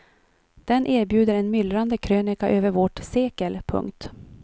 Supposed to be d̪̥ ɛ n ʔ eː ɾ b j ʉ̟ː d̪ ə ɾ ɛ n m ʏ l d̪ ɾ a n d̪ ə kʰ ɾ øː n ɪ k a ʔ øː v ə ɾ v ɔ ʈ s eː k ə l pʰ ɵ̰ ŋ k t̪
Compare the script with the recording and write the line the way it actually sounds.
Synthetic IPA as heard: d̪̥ ɛ n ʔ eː ɾ b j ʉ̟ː d̪ ə ɾ ɛ n m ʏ l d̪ ɾ a n d̪ ə kʰ ɾ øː n ɪ k a ʔ øː v ə ɾ v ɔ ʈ s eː k ə l pʰ ɵ̰ ŋ k t̪